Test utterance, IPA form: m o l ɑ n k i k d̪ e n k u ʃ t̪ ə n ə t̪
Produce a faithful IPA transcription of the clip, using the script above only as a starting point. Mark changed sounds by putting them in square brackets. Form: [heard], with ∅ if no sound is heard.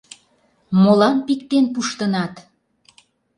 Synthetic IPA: m o l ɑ n [p] i k [t̪] e n [p] u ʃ t̪ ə n [ɑ] t̪